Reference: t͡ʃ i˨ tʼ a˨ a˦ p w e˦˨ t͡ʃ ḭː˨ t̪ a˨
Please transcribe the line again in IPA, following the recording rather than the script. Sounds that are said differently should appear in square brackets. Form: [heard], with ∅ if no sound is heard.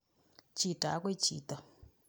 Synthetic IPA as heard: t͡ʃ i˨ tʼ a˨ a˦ [k] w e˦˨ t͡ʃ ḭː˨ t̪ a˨